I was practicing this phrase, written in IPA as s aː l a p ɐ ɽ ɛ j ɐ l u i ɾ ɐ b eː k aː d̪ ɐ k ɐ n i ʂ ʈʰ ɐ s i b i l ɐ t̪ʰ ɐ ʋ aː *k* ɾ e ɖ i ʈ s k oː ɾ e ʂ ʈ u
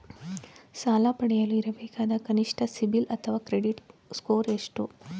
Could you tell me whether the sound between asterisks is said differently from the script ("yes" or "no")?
no